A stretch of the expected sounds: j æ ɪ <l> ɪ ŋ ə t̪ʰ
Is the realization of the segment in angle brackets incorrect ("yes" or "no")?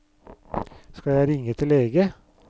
yes